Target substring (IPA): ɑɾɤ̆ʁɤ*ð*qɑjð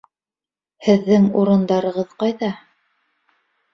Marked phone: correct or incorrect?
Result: correct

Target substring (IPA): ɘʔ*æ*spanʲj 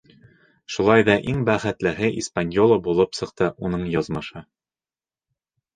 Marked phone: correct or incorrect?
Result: incorrect: i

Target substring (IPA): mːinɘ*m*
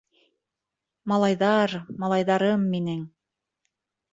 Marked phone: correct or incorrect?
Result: incorrect: ŋ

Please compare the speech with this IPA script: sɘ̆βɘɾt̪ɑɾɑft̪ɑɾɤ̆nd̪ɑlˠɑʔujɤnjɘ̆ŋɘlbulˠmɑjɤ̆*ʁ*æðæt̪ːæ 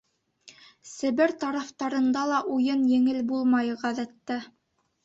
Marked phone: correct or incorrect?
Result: correct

